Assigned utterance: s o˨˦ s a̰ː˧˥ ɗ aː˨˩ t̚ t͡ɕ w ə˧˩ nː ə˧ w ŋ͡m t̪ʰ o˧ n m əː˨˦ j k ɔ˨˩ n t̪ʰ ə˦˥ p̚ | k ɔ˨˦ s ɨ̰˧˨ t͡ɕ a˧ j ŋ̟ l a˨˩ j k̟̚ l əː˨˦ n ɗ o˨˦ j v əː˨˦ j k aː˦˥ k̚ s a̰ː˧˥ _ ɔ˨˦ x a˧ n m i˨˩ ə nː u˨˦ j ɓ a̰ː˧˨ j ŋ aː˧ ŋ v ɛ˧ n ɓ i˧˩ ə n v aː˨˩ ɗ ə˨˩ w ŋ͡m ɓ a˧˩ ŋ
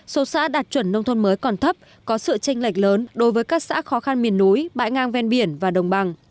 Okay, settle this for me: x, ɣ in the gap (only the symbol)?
x